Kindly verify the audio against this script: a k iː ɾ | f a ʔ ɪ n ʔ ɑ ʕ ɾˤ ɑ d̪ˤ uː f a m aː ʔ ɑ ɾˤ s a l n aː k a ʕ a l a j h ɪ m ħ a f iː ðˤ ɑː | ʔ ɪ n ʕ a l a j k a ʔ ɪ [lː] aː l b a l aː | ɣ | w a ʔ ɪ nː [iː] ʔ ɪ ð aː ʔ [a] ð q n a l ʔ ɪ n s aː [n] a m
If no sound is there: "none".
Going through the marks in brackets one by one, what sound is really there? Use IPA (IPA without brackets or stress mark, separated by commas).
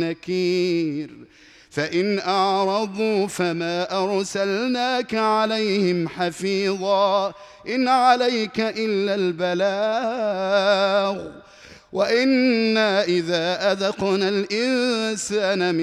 lː, aː, a, n